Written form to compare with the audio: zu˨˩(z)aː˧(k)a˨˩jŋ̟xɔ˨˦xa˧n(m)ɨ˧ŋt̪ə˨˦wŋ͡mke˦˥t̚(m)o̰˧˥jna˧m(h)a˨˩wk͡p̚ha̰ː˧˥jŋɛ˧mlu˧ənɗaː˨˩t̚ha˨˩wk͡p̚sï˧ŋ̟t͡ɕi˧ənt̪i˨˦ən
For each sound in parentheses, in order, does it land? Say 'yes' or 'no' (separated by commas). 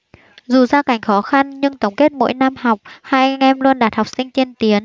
yes, yes, no, yes, yes